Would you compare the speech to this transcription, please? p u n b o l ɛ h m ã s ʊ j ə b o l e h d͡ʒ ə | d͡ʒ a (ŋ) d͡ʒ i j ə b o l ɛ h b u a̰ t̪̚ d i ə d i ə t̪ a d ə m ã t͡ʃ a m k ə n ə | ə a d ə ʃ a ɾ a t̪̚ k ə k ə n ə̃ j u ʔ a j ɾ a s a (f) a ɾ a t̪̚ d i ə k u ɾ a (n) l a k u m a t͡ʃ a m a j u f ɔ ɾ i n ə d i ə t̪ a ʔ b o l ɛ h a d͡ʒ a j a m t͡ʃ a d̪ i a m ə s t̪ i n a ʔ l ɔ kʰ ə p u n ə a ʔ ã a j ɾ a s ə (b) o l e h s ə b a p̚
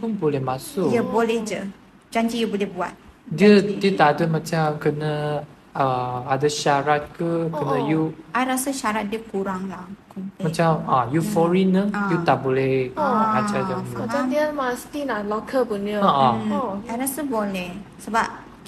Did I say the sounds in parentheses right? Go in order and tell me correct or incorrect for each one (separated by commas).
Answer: incorrect, incorrect, incorrect, correct